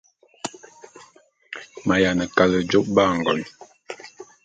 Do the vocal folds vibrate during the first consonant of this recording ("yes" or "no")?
yes